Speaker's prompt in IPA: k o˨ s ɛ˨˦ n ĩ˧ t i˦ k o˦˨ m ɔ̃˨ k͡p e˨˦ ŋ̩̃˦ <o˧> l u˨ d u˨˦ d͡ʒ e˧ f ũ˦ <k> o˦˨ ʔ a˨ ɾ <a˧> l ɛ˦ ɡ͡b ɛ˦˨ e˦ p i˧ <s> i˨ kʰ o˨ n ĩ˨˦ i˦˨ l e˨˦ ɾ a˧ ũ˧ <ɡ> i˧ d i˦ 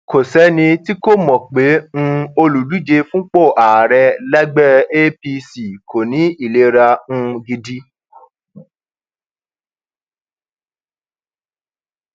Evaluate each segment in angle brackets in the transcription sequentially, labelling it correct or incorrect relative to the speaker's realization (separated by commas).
correct, incorrect, incorrect, correct, correct